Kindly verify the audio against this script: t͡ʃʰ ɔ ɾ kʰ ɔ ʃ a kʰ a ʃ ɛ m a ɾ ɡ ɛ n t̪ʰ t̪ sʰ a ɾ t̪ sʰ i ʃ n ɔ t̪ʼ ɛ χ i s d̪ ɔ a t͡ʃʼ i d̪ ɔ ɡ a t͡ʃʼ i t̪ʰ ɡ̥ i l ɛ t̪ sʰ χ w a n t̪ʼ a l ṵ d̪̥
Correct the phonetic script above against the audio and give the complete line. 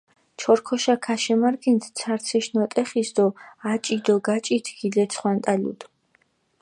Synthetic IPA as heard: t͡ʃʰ ɔ ɾ kʰ ɔ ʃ a kʰ a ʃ ɛ m a ɾ ɡ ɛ n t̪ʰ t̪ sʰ a ɾ t̪ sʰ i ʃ n ɔ t̪ʼ ɛ χ i s d̪ ɔ a t͡ʃʼ i d̪ ɔ ɡ a t͡ʃʼ i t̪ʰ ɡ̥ i l ɛ t̪ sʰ χ w a n t̪ʼ a l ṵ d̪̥

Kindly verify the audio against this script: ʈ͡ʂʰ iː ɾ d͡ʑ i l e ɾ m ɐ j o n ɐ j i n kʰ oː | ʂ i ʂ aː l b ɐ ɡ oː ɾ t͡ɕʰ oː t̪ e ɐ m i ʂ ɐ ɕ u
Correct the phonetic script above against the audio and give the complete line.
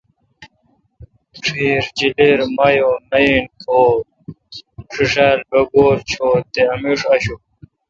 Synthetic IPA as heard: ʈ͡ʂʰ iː ɾ d͡ʑ i l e ɾ m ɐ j o n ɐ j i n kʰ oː | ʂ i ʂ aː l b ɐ ɡ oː ɾ t͡ɕʰ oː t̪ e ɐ m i ʂ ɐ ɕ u

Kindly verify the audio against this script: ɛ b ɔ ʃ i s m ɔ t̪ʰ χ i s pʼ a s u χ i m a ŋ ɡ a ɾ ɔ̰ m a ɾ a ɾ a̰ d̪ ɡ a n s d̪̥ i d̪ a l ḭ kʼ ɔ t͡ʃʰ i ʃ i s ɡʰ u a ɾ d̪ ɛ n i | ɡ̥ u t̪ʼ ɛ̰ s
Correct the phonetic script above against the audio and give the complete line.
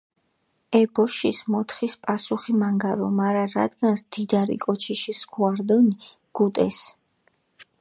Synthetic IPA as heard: ɛ b ɔ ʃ i s m ɔ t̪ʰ χ i s pʼ a s u χ i m a ŋ ɡ a ɾ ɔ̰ m a ɾ a ɾ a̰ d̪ ɡ a n s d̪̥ i d̪ a ɾ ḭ kʼ ɔ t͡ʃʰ i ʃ i s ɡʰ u a ɾ d̪ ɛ n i | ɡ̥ u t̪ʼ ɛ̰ s

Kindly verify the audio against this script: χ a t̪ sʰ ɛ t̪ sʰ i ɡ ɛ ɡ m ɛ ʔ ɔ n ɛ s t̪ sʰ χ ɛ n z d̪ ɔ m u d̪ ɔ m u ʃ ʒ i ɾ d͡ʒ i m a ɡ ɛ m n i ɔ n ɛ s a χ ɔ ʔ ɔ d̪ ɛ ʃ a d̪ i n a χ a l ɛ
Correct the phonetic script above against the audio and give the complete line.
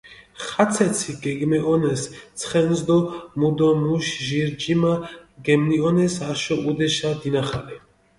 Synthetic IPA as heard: χ a t̪ sʰ ɛ t̪ sʰ i ɡ ɛ ɡ m ɛ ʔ ɔ n ɛ s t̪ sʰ χ ɛ n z d̪ ɔ m u d̪ ɔ m u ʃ ʒ i ɾ d͡ʒ i m a ɡ ɛ m n i ɔ n ɛ s a ʃ ɔ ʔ u d̪ ɛ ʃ a d̪ i n a χ a l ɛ

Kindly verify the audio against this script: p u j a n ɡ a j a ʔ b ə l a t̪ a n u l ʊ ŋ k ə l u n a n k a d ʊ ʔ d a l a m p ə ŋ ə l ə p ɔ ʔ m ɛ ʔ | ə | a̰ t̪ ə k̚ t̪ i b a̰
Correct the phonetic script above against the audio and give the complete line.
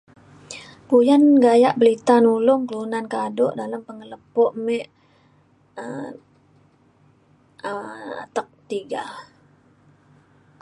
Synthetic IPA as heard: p u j a n ɡ a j a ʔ b ə l i t̪ a n u l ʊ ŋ k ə l u n a n k a d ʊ ʔ d a l a m p ə ŋ ə l ə p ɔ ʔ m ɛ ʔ | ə | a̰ t̪ ə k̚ t̪ i ɡ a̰

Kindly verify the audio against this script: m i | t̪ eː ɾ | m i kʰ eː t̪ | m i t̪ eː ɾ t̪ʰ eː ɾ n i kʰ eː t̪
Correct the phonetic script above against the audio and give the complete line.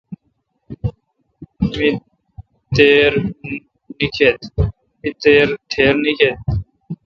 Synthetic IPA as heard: m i | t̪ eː ɾ | n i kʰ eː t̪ | m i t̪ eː ɾ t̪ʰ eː ɾ n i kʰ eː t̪

